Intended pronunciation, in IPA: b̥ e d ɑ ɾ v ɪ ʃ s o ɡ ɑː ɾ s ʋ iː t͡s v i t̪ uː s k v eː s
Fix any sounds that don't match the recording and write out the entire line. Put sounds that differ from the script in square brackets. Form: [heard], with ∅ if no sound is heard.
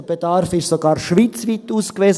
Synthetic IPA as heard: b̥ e d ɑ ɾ [f] ɪ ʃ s o ɡ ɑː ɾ [ʃ] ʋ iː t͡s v i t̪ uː s k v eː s